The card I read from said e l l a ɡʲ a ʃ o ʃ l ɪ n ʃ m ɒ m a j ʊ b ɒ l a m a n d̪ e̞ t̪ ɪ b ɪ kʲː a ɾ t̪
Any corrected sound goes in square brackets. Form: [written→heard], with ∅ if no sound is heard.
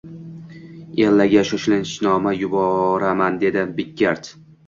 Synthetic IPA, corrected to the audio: e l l a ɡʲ a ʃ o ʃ l ɪ n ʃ [m→n] ɒ m a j ʊ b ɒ [l→ɾ] a m a n d̪ e̞ [t̪→d̪] ɪ b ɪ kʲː a ɾ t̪